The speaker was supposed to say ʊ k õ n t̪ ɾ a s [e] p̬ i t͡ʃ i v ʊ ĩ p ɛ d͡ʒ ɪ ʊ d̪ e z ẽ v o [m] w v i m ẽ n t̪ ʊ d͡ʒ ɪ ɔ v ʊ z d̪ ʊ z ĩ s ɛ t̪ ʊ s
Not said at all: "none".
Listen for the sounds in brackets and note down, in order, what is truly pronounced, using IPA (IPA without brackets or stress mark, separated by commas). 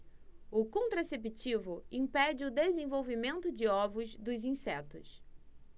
e, none